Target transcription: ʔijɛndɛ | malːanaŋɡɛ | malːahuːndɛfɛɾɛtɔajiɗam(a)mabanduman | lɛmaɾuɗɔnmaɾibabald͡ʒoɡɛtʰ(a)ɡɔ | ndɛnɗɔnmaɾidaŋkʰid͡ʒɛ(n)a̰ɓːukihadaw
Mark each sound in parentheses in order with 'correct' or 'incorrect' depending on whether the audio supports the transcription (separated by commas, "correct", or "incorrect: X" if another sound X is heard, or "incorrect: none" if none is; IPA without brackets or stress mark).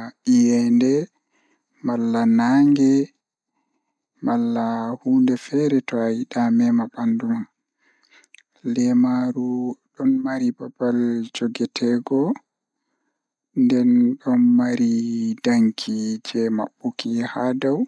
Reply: incorrect: ɛ, incorrect: ɛ, incorrect: m